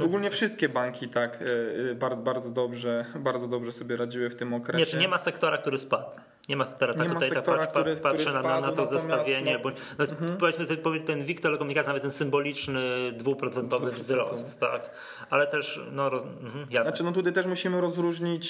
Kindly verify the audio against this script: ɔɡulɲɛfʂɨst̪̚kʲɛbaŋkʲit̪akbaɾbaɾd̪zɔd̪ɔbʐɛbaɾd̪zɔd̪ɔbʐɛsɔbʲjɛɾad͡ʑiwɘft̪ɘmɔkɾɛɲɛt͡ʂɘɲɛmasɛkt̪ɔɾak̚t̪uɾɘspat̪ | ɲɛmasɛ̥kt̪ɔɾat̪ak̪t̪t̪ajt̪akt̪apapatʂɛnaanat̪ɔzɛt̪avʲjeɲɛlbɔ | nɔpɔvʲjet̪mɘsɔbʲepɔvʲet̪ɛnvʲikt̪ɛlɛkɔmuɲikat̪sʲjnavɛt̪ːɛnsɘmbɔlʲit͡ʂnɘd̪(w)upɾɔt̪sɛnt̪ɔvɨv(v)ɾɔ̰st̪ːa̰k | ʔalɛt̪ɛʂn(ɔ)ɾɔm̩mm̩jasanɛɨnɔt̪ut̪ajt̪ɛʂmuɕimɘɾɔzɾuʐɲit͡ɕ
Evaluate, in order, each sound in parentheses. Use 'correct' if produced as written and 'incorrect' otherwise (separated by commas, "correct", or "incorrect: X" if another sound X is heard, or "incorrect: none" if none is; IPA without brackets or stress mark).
incorrect: v, incorrect: z, correct